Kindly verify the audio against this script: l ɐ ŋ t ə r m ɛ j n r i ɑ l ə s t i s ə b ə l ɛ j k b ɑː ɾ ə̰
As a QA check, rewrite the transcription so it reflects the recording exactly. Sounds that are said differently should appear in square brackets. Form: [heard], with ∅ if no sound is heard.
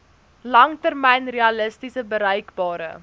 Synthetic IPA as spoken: l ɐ ŋ t ə r m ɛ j n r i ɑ l ə s t i s ə b ə [ɾ] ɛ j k b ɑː ɾ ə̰